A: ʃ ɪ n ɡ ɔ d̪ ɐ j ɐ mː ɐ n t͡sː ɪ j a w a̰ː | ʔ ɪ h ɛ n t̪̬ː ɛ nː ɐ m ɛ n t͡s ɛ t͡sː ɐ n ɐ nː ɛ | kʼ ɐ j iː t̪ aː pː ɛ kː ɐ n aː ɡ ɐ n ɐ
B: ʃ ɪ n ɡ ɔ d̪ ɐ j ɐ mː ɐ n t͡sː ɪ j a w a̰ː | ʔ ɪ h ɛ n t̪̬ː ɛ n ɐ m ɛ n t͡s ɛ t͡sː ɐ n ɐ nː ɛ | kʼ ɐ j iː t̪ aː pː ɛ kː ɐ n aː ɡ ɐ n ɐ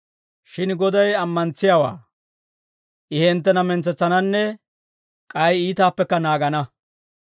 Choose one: B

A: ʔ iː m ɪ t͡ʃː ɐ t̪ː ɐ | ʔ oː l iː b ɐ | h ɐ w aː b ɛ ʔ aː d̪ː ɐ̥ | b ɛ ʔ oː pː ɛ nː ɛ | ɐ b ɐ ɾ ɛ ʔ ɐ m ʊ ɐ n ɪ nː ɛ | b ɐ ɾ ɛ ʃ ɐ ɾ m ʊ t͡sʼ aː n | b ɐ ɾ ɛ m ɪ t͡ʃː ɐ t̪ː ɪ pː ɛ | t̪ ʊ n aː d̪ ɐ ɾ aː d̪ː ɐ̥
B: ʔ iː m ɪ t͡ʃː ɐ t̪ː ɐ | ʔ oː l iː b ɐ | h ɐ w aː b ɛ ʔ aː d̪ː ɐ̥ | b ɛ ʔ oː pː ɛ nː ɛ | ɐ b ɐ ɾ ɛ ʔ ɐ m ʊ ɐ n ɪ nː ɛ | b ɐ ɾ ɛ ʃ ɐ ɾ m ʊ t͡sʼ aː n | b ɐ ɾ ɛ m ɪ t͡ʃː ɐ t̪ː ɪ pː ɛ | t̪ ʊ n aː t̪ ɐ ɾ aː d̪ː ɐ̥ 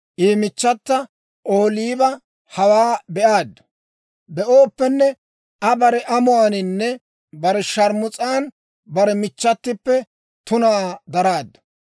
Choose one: A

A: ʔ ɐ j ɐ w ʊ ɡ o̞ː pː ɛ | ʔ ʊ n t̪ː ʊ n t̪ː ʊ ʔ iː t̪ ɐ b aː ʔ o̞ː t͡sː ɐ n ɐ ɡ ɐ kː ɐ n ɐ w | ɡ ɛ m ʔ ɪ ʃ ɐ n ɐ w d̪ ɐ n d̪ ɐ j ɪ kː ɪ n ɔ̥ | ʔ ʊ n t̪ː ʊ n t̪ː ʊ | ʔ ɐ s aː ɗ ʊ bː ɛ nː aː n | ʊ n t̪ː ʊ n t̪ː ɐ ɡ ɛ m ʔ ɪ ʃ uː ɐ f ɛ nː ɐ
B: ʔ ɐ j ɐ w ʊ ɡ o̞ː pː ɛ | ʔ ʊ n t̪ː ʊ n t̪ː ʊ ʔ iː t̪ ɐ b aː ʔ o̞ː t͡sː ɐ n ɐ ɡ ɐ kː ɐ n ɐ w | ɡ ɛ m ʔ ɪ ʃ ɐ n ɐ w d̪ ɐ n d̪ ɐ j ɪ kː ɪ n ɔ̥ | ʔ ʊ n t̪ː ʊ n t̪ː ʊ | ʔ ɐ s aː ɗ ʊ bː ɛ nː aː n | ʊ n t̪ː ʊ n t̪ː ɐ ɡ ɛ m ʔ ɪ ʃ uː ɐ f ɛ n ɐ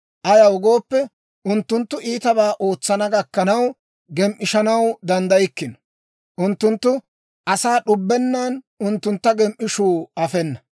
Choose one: A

